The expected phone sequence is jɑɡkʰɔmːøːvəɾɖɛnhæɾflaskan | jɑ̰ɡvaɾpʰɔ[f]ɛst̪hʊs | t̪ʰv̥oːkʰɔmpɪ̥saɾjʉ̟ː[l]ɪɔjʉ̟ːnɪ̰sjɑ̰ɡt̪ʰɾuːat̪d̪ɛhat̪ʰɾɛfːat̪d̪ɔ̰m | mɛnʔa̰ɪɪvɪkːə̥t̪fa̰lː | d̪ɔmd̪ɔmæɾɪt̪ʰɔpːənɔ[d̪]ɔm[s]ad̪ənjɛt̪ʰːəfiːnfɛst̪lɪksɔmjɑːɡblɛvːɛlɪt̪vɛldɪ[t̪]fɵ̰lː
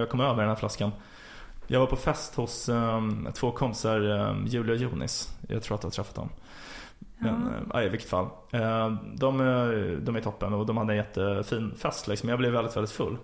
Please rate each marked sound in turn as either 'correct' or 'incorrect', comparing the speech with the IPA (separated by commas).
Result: correct, correct, correct, incorrect, correct